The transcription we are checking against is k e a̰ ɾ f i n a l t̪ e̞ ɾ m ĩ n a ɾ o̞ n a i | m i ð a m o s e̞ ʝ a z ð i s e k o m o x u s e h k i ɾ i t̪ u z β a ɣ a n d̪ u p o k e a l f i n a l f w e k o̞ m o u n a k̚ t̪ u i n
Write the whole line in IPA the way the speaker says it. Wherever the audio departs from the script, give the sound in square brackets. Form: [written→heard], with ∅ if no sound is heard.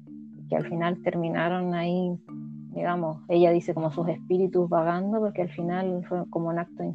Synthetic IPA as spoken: k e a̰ [ɾ→l] f i n a l t̪ e̞ ɾ m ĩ n a ɾ o̞ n a i | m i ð a m o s e̞ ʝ a [z→∅] ð i s e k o m o [x→s] u s e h [k→p] i ɾ i t̪ u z β a ɣ a n d̪ [u→o] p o k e a l f i n a l f w e k o̞ m o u n a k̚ t̪ [u→o] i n